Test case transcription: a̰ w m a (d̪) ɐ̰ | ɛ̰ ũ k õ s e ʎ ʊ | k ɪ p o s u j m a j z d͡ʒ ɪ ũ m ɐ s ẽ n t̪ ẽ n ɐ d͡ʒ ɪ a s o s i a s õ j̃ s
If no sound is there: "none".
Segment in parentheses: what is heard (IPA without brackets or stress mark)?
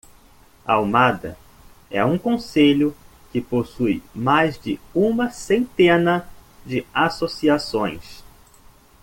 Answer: d̪